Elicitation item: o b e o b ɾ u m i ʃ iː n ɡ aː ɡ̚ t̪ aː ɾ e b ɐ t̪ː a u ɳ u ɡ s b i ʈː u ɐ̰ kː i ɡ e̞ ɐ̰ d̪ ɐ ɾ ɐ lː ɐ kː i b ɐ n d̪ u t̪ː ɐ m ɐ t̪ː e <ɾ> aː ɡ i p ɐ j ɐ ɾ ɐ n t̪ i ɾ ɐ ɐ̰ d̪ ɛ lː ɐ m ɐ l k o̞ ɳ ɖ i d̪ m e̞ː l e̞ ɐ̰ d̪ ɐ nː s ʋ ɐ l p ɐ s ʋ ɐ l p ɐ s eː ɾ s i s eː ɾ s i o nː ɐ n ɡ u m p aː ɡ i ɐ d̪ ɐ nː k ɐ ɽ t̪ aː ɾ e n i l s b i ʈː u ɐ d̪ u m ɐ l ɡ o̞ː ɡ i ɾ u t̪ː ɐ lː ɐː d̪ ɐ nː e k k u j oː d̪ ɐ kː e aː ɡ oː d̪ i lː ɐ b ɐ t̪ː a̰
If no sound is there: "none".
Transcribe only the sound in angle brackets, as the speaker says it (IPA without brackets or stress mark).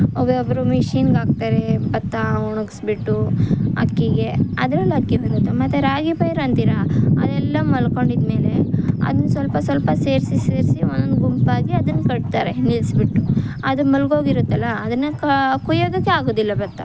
ɾ